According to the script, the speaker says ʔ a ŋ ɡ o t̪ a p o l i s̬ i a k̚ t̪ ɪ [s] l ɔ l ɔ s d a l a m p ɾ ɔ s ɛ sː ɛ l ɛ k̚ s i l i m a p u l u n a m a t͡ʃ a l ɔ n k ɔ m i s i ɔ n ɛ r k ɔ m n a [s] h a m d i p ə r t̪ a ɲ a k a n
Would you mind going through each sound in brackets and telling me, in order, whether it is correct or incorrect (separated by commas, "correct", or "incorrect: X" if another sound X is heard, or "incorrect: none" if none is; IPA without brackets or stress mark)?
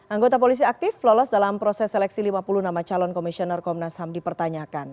incorrect: f, correct